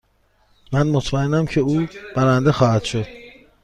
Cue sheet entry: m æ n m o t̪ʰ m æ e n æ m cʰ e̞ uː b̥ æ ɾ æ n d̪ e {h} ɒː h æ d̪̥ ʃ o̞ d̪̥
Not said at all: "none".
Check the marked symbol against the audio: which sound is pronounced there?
x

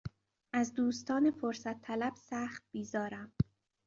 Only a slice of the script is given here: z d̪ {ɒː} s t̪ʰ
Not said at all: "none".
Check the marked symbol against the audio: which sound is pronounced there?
uː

